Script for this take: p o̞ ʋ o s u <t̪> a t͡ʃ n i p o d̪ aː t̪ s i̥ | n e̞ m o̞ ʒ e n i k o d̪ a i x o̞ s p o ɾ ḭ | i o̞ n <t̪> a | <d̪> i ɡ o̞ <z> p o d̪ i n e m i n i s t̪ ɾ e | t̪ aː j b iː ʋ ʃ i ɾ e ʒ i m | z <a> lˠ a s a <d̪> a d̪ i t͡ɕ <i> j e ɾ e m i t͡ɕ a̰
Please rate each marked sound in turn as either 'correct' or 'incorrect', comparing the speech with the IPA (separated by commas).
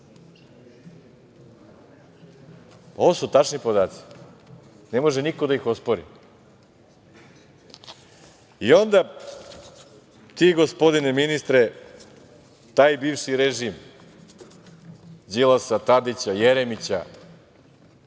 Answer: correct, incorrect, incorrect, incorrect, incorrect, incorrect, incorrect